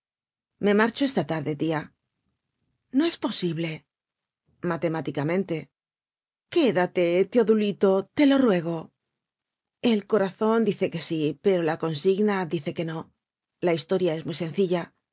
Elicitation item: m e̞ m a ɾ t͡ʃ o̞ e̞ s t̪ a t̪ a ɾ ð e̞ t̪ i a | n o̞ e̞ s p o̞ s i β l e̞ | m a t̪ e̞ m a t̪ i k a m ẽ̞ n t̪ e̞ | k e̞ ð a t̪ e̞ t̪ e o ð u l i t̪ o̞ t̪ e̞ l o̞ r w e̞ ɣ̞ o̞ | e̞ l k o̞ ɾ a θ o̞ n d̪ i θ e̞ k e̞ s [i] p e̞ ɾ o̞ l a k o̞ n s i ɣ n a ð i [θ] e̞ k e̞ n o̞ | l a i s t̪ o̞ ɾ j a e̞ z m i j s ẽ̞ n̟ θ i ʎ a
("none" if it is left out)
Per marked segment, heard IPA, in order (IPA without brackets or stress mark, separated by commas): i, θ